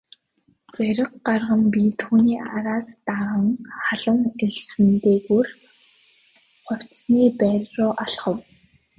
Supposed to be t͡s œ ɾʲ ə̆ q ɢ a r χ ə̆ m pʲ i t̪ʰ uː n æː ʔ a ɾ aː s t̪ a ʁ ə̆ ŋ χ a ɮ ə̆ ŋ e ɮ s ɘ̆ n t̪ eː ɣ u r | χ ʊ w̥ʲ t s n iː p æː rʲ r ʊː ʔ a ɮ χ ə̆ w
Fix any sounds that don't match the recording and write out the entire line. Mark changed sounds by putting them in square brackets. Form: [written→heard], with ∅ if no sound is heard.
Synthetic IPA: t͡s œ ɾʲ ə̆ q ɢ a r [χ→ʁ] ə̆ m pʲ i t̪ʰ uː n [æː→iː] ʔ a ɾ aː s t̪ a ʁ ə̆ ŋ χ a ɮ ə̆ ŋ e ɮ s ɘ̆ n t̪ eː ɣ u r | χ ʊ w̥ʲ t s n iː p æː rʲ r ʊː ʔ a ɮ χ ə̆ w